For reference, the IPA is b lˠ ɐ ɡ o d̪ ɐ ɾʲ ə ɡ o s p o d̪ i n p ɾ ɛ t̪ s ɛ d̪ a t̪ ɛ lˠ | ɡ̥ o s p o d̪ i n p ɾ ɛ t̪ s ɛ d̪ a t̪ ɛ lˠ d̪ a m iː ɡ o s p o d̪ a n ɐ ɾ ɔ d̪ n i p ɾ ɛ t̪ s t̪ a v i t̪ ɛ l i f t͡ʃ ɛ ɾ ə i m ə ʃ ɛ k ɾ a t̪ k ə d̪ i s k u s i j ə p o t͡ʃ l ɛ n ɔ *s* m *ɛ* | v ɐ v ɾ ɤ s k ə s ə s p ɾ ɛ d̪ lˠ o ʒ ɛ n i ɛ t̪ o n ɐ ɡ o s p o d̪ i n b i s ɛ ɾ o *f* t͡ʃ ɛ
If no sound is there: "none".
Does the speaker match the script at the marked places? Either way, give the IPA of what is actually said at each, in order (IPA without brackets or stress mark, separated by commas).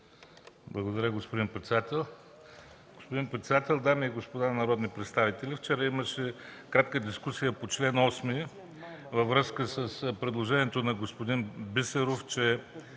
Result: s, i, f